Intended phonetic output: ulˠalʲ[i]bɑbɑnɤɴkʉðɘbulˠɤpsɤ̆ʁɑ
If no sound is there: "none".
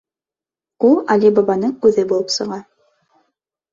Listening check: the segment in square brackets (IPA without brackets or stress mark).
i